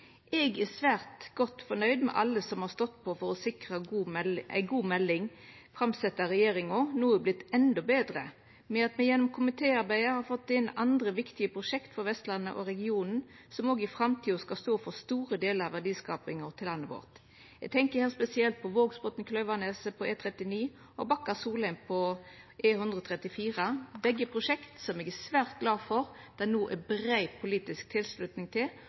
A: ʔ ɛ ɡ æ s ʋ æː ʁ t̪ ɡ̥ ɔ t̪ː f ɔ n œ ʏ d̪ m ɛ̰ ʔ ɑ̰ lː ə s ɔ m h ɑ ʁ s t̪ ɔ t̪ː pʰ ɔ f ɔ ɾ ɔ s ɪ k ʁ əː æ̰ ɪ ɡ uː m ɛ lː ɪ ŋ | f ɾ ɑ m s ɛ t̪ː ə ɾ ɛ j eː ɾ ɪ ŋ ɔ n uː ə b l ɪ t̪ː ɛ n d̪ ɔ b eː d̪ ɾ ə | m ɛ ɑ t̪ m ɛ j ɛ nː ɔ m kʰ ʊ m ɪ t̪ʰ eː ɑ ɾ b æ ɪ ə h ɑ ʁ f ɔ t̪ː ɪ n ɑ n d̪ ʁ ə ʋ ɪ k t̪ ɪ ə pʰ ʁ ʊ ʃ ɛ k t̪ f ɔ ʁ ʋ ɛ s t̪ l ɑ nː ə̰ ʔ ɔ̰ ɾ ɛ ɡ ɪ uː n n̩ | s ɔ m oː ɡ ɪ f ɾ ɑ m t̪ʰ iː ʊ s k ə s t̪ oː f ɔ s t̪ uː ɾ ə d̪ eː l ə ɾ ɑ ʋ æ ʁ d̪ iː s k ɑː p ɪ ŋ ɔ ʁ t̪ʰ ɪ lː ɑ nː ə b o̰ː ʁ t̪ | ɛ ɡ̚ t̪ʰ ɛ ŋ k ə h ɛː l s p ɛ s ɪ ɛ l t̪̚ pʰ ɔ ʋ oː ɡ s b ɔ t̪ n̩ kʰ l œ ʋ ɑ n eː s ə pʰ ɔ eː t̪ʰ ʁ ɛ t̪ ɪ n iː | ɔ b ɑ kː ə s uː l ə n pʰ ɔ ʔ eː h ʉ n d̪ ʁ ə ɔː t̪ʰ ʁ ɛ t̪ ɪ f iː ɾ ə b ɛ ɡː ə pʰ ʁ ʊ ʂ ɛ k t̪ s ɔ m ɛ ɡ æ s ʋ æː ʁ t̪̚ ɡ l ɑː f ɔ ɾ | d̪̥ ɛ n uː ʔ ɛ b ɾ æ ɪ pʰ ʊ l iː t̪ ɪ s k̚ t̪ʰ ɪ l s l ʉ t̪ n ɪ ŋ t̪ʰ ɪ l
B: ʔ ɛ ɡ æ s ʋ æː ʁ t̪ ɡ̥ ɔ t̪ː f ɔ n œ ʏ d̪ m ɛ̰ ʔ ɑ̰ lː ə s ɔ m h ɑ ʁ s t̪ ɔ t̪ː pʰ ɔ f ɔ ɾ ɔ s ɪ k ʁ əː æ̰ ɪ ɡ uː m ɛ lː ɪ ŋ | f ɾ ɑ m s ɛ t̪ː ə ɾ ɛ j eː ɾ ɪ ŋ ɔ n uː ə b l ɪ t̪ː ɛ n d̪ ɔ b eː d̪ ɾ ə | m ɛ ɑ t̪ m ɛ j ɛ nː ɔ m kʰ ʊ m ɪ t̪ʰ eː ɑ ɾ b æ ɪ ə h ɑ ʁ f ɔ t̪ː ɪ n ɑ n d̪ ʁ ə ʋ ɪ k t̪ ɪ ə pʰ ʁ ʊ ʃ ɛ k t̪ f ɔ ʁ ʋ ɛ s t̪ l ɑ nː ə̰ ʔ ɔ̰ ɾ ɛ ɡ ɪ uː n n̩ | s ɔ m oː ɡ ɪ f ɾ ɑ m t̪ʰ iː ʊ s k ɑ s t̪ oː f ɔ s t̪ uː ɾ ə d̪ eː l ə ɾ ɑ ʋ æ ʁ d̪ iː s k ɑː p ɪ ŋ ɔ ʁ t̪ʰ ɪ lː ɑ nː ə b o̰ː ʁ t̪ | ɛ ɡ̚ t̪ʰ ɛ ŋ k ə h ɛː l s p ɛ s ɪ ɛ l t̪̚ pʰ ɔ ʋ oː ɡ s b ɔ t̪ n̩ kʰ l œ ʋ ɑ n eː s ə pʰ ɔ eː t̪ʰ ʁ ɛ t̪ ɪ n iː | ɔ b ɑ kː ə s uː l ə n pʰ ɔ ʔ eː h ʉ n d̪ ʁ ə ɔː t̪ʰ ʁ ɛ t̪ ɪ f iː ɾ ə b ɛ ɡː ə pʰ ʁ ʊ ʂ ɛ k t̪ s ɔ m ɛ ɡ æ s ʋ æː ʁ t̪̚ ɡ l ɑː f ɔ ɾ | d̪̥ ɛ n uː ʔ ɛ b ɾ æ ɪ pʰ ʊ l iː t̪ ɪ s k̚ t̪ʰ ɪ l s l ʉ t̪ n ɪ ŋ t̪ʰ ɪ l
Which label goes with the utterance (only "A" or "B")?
B